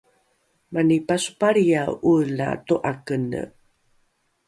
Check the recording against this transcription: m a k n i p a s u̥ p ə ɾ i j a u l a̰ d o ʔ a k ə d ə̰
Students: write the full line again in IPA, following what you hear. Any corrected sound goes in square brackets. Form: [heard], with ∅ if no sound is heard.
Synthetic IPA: m a [∅] n i p a s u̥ p [a] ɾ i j a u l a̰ [t] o ʔ a k ə [n] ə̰